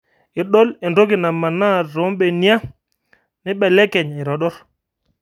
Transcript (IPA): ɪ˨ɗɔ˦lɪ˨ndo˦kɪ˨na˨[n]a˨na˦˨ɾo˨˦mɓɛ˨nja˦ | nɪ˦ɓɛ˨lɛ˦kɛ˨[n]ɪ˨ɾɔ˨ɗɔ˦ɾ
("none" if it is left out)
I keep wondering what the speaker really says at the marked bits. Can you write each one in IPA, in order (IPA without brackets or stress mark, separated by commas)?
m, ɲ